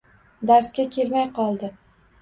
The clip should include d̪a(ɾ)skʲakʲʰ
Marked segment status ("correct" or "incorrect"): correct